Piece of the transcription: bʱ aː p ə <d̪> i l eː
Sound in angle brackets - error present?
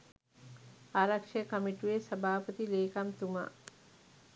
yes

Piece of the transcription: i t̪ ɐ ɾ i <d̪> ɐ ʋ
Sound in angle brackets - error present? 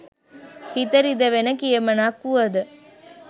no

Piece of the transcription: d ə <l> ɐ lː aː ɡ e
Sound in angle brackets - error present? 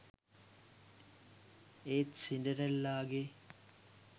yes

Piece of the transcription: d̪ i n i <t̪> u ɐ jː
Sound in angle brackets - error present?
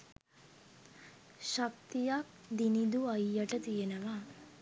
yes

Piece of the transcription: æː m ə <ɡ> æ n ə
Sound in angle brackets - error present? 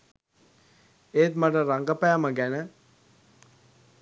no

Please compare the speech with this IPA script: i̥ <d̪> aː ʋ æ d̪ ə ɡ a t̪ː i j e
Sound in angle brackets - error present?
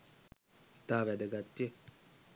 yes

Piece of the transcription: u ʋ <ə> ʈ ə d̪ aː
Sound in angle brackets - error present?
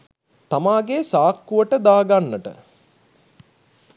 no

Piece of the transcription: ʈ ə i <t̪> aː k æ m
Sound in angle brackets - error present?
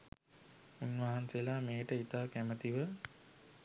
no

